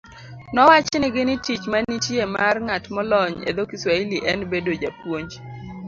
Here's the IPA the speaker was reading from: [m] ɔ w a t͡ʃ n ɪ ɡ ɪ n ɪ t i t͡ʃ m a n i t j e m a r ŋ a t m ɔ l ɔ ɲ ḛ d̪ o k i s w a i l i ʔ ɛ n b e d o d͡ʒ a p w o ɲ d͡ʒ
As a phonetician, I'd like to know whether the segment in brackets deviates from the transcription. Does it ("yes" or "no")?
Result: yes